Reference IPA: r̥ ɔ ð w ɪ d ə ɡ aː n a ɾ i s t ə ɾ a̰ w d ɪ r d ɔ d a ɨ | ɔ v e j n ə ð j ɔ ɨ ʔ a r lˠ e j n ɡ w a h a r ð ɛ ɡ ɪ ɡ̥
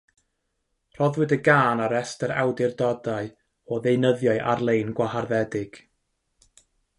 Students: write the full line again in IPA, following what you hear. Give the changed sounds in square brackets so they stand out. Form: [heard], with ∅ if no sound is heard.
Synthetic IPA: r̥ ɔ ð w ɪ d ə ɡ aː n a ɾ [ɛ] s t ə ɾ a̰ w d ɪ r d ɔ d a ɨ | ɔ [ð] e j n ə ð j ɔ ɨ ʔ a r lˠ e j n ɡ w a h a r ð ɛ [d] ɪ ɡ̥

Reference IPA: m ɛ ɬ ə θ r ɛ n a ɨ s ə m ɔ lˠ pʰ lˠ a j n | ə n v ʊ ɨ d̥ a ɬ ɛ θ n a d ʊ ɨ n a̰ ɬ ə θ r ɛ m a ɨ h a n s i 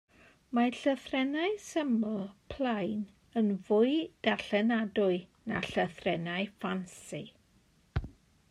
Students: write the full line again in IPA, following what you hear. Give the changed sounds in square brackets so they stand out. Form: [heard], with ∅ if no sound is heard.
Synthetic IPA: m [a] ɬ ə θ r ɛ n a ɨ s ə m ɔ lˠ pʰ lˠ a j n | ə n v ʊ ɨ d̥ a ɬ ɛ [∅] n a d ʊ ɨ n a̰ ɬ ə θ r ɛ [n] a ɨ [f] a n s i

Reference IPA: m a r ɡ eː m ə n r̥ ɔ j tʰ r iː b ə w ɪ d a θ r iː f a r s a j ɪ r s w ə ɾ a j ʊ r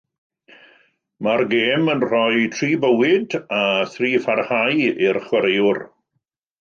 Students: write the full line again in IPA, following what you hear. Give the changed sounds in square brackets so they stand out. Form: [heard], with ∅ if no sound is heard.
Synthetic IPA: m a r ɡ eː m ə n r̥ ɔ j tʰ r iː b ə w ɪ d a θ r iː f a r [h] a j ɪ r [χ] w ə ɾ [e] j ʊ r

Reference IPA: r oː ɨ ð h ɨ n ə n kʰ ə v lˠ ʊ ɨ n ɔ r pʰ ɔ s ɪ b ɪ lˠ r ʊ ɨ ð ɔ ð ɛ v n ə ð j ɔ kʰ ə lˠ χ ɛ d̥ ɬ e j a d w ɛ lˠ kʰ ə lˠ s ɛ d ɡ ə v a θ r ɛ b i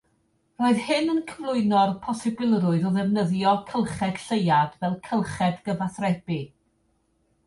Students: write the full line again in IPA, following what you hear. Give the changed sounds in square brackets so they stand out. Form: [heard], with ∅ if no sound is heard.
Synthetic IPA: r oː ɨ ð h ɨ n ə n kʰ ə v lˠ ʊ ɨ n ɔ r pʰ ɔ s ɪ b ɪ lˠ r ʊ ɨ ð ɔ ð ɛ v n ə ð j ɔ kʰ ə lˠ χ ɛ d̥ ɬ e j a d [v] ɛ lˠ kʰ ə lˠ [χ] ɛ d ɡ ə v a θ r ɛ b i

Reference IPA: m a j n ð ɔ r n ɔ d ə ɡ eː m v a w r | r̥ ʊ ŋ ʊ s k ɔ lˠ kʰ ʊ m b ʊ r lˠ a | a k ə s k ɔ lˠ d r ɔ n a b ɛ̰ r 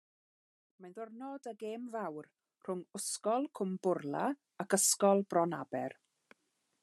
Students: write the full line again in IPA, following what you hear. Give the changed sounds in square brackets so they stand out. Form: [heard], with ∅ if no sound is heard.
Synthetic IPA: m a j n ð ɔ r n ɔ d ə ɡ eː m v a w r | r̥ ʊ ŋ ʊ s k ɔ lˠ kʰ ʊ m b ʊ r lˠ a | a k ə s k ɔ lˠ [b] r ɔ n a b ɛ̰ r

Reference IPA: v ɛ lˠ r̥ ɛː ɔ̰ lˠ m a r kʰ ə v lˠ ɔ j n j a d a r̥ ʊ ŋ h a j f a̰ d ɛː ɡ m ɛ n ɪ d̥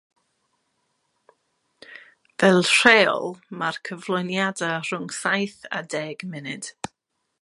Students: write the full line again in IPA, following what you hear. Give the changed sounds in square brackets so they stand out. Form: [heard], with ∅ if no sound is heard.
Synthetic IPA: v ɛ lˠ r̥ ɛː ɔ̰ lˠ m a r kʰ ə v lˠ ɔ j n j a d a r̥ ʊ ŋ [s] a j [θ] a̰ d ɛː ɡ m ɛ n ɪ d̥

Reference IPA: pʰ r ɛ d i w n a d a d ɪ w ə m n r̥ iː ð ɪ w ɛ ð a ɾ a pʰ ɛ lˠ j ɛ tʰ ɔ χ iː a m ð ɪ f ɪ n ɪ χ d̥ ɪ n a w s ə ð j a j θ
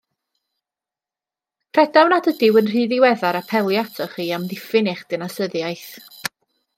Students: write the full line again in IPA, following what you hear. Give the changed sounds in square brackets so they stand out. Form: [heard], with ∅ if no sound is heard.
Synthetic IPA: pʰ r ɛ d [a] w n a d [ə] d ɪ w ə [∅] n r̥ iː ð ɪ w ɛ ð a ɾ a pʰ ɛ lˠ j [a] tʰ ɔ χ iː a m ð ɪ f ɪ n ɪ χ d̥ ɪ n a [∅] s ə ð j a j θ

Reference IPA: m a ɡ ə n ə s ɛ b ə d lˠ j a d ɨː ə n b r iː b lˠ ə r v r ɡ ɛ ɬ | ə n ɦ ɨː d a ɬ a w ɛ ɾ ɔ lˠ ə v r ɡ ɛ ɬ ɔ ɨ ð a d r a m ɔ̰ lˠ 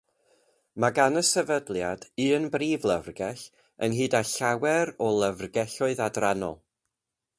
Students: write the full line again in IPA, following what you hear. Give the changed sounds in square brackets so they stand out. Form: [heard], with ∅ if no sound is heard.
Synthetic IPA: m a ɡ [a] n ə s ɛ [v] ə d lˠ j a d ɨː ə n b r iː [v] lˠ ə [∅] v r ɡ ɛ ɬ | ə n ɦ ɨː d a ɬ a w ɛ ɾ ɔ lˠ ə v r ɡ ɛ ɬ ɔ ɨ ð a d r a [n] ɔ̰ lˠ

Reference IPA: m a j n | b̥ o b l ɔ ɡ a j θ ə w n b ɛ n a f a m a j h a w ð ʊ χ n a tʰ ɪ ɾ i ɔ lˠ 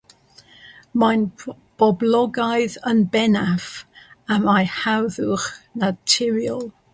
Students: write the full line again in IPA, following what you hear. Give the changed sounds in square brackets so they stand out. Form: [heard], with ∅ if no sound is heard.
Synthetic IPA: m a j n | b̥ [ɔ] b l ɔ ɡ a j [ð] ə [∅] n b ɛ n a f a m a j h a w ð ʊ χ n a tʰ ɪ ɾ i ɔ lˠ

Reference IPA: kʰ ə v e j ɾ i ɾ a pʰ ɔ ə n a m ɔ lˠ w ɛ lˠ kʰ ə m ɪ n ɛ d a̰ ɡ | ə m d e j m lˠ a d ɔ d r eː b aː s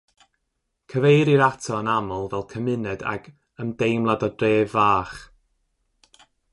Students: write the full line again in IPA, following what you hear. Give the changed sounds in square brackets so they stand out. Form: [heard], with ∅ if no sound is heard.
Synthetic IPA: kʰ ə v e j ɾ i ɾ a [tʰ] ɔ ə n a m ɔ lˠ [v] ɛ lˠ kʰ ə m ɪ n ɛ d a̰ ɡ | ə m d e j m lˠ a d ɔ d r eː [v] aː [χ]

